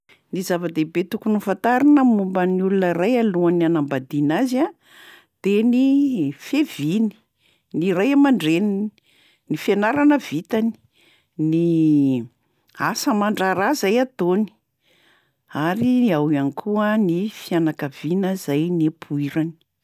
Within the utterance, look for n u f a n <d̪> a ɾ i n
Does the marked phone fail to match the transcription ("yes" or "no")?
yes